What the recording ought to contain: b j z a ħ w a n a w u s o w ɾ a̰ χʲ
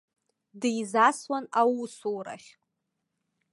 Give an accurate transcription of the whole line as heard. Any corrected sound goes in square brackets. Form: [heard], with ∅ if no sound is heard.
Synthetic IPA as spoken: [d] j z a [s] w a n a w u s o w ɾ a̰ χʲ